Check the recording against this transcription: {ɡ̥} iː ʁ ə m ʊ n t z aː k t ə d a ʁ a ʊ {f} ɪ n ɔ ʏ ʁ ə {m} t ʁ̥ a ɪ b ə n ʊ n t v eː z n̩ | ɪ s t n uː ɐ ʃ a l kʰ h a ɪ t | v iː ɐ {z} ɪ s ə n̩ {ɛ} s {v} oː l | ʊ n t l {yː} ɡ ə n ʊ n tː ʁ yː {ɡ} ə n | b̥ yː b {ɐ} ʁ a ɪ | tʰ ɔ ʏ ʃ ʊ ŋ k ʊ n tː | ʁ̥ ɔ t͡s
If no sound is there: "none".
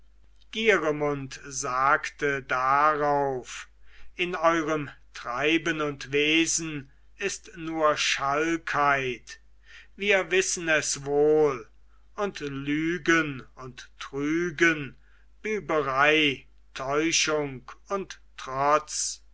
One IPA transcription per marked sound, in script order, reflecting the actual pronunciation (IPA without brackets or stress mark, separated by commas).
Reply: ɡ̥, f, m, v, ɛ, v, yː, ɡ, ə